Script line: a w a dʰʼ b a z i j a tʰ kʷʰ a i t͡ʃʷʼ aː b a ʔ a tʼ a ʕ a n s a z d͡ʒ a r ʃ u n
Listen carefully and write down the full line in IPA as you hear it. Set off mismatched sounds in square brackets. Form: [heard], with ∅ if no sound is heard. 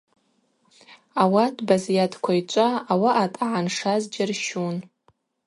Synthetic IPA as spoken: a w a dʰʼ b a z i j a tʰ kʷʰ a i t͡ʃʷʼ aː [w] a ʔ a tʼ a ʕ a n [ʂ] a z d͡ʒ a r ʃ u n